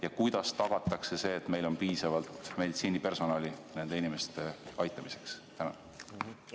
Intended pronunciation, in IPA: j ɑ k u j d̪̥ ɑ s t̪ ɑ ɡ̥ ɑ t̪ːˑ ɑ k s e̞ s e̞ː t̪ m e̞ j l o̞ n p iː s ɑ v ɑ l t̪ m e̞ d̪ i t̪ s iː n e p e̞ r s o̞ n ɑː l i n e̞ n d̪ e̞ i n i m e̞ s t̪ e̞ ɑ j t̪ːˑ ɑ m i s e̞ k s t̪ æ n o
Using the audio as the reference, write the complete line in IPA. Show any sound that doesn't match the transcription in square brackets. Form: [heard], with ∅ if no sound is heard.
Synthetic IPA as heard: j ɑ k u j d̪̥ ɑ s t̪ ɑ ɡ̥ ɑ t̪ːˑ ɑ k s e̞ s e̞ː t̪ m e̞ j l o̞ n p iː s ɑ v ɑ l t̪ m e̞ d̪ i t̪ s iː n [i] p e̞ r s o̞ n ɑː l i n e̞ n d̪ e̞ i n i m e̞ s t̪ e̞ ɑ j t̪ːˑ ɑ m i s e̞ k s t̪ æ n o